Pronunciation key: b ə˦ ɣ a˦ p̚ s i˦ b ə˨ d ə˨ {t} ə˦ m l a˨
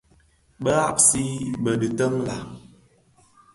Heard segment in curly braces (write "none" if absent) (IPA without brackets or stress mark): t